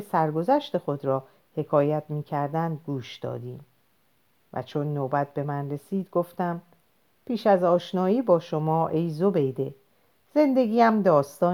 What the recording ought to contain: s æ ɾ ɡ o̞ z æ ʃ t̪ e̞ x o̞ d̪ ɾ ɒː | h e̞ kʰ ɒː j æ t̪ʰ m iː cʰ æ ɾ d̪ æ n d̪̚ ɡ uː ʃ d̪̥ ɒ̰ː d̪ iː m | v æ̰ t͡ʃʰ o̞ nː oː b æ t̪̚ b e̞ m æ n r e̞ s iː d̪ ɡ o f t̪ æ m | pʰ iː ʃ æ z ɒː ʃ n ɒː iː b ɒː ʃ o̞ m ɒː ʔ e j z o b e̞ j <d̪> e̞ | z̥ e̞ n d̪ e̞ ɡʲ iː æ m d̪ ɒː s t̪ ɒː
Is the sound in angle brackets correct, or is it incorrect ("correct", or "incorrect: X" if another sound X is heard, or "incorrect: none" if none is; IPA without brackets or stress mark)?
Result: correct